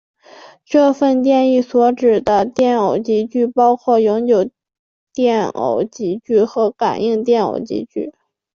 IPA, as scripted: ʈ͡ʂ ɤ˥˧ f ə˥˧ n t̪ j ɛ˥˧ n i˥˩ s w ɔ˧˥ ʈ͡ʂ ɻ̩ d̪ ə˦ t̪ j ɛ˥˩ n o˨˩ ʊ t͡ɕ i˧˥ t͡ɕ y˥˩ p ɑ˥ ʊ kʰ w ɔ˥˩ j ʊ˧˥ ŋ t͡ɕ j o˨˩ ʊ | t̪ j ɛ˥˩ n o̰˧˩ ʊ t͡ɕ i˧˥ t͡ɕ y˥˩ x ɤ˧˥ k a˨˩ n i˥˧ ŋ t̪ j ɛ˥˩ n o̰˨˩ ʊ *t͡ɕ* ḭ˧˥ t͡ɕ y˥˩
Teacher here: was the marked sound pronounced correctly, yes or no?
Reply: yes